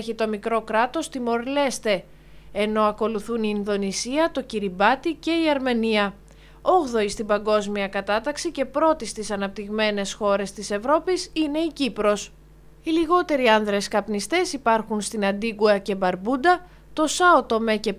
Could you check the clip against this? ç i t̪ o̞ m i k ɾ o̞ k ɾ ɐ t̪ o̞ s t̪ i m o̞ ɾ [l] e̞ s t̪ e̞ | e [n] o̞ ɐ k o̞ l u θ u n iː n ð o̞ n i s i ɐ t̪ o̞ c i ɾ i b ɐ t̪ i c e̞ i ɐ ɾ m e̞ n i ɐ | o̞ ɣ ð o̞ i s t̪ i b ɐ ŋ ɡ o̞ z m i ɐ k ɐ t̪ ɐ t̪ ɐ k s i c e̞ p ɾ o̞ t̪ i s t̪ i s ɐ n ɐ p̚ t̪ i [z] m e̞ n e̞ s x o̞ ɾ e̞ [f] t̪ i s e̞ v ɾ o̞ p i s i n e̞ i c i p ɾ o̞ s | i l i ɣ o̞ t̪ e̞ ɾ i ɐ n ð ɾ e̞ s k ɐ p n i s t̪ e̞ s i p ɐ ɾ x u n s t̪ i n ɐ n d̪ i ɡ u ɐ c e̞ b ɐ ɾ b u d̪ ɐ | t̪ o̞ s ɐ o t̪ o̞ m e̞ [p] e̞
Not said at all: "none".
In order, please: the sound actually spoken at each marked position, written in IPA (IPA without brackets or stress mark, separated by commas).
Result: l, n, ɣ, s, c